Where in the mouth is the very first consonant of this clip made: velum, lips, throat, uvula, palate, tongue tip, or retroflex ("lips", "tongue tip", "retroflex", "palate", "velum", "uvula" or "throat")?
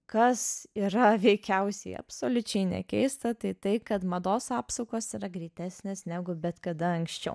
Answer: velum